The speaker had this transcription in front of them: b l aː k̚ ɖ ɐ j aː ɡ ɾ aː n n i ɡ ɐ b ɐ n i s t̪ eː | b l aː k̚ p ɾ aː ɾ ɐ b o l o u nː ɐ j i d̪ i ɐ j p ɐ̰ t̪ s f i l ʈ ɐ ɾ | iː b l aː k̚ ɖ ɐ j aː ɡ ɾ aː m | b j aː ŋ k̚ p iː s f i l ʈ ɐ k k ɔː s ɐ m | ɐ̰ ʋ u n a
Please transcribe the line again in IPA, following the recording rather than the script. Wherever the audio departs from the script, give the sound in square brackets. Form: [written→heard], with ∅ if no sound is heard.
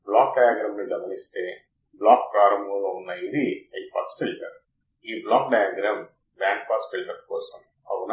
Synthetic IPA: b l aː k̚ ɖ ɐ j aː ɡ ɾ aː [n→m] n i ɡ ɐ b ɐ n i s t̪ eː | b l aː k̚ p ɾ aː ɾ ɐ [b→m] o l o u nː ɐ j i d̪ i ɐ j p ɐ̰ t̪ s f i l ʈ ɐ ɾ | iː b l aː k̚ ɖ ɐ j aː ɡ ɾ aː m | b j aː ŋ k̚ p [iː→aː] s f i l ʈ ɐ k k ɔː s ɐ m | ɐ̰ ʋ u n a

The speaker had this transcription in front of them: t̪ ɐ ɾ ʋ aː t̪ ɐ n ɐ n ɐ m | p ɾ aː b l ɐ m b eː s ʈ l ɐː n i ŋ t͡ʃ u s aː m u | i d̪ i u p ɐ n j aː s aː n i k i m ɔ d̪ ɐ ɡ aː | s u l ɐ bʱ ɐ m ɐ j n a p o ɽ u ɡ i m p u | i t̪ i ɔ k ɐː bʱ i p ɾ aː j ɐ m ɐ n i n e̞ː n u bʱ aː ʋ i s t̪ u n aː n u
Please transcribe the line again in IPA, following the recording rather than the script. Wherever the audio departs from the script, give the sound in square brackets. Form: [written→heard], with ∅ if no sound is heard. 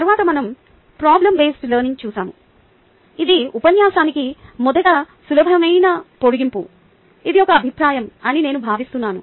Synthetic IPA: t̪ ɐ ɾ ʋ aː t̪ ɐ [n→m] ɐ n ɐ m | p ɾ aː b l ɐ m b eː s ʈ l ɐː n i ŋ t͡ʃ [u→uː] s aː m u | i d̪ i u p ɐ n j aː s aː n i k i m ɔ d̪ ɐ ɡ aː | s u l ɐ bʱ ɐ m ɐ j n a p o ɽ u ɡ i m p u | i [t̪→d̪] i ɔ k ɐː bʱ i p ɾ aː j ɐ m ɐ n i n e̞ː n u bʱ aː ʋ i s t̪ u [n→nː] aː n u

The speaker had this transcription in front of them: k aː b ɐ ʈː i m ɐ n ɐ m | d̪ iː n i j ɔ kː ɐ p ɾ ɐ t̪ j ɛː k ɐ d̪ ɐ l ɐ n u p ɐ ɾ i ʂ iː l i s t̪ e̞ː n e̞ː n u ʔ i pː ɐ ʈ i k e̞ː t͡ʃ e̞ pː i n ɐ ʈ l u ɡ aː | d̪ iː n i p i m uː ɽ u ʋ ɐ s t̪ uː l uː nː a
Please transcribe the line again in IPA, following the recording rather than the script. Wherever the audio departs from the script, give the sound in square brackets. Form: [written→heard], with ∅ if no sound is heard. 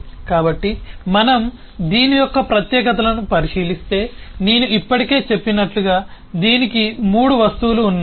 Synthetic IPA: k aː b ɐ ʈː i m ɐ n ɐ m | d̪ iː n i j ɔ kː ɐ p ɾ ɐ t̪ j ɛː k ɐ [d̪→t̪] ɐ l ɐ n u p ɐ ɾ i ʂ iː l i s t̪ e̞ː n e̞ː n u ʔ i pː ɐ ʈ i k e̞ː t͡ʃ e̞ pː i n ɐ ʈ l u ɡ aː | d̪ iː n i [p→k] i m uː ɽ u ʋ ɐ s t̪ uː l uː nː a

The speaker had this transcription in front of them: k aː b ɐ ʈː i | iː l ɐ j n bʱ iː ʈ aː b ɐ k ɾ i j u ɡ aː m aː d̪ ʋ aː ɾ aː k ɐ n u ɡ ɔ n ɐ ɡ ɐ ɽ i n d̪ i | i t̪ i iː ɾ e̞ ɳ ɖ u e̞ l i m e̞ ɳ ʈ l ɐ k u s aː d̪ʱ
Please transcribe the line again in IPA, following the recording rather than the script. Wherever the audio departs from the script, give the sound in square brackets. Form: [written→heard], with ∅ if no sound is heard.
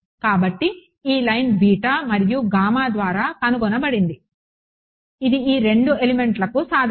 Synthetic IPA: k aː b ɐ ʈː i | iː l ɐ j n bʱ iː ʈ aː [b→m] ɐ [k→∅] ɾ i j u ɡ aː m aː d̪ ʋ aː ɾ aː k ɐ n u ɡ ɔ n ɐ [ɡ→b] ɐ ɽ i n d̪ i | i [t̪→d̪] i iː ɾ e̞ ɳ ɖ u e̞ l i m e̞ ɳ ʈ l ɐ k u s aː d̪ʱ

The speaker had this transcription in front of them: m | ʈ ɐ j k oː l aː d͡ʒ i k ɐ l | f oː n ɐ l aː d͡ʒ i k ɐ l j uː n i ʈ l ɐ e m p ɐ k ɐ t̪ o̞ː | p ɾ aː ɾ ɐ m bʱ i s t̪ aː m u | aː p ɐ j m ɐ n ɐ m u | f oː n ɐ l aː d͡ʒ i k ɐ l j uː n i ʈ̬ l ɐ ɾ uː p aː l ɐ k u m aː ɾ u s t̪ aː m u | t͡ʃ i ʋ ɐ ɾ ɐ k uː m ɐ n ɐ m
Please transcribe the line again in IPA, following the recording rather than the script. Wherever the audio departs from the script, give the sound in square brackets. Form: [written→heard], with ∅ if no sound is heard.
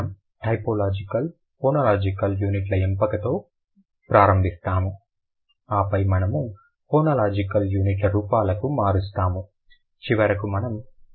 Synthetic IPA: m | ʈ ɐ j [k→p] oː l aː d͡ʒ i k ɐ l | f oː n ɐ l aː d͡ʒ i k ɐ l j uː n i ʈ l ɐ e m p ɐ k ɐ t̪ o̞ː | p ɾ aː ɾ ɐ m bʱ i s t̪ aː m u | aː p ɐ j m ɐ n ɐ m u | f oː n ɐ l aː d͡ʒ i k ɐ l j uː n i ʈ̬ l ɐ ɾ uː p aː l ɐ k u m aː ɾ u s t̪ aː m u | t͡ʃ i ʋ ɐ ɾ ɐ k [uː→u] m ɐ n ɐ m

